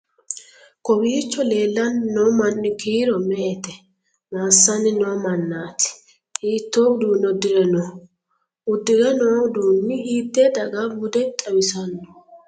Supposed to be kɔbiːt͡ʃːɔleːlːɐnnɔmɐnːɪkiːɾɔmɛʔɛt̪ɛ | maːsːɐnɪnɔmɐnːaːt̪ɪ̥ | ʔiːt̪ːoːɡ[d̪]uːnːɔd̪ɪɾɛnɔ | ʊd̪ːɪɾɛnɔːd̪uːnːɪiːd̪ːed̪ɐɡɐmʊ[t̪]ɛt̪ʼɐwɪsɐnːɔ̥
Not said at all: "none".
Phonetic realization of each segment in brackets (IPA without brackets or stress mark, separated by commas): d̪, d̪